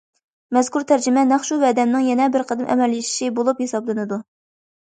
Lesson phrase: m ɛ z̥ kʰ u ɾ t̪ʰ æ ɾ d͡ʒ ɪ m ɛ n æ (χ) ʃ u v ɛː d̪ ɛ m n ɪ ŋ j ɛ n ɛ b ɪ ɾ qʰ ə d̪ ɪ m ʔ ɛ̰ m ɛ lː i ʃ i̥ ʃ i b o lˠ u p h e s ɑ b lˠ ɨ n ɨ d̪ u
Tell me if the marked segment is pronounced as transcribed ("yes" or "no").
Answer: yes